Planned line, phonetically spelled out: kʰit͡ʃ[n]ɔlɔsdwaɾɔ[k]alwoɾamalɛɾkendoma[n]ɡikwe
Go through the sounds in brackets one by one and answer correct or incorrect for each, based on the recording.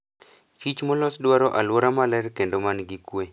incorrect: m, incorrect: ʔ, correct

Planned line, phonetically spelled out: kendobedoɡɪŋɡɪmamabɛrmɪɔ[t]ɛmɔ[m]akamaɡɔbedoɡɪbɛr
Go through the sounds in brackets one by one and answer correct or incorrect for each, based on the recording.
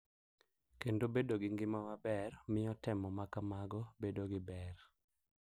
correct, correct

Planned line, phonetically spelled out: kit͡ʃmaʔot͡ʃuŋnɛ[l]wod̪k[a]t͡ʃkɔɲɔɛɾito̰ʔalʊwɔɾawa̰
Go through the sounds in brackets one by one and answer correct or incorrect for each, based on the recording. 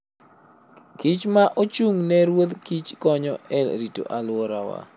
incorrect: ɾ, incorrect: i

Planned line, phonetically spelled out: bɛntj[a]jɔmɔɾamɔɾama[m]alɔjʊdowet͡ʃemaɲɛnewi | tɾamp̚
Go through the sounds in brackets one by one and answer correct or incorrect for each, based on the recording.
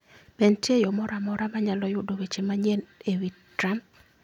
incorrect: e, incorrect: ɲ

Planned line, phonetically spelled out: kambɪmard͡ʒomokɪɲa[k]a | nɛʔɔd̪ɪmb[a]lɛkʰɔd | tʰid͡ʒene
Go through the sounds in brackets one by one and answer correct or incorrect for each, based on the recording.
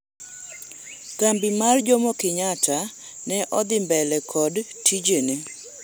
incorrect: t, incorrect: ɛ

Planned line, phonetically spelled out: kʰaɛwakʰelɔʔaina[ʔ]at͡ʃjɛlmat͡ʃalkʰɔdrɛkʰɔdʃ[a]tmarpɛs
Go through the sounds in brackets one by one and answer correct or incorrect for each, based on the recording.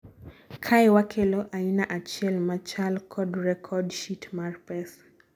correct, incorrect: i

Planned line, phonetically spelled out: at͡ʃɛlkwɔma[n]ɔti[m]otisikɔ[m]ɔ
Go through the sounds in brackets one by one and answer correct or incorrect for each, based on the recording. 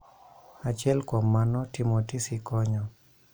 correct, correct, incorrect: ɲ

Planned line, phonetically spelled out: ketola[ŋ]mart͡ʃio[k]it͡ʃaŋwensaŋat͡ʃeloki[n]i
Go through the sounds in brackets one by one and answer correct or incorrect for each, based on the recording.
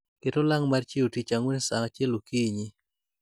correct, incorrect: t, incorrect: ɲ

